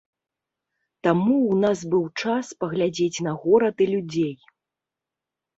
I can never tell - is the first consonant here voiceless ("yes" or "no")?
yes